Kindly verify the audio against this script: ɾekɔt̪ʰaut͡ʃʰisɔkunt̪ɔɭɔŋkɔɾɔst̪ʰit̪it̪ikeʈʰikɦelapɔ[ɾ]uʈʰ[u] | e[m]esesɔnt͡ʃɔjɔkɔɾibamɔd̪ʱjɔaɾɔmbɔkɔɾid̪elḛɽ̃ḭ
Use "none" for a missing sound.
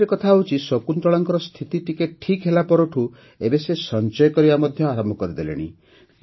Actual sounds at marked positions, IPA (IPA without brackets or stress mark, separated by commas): ɾ, u, b